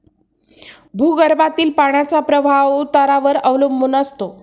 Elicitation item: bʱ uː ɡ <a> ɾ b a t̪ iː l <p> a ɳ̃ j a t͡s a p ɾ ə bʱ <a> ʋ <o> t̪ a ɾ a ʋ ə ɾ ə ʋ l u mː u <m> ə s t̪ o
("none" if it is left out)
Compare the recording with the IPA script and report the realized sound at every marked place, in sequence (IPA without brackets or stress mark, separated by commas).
ə, p, a, u, n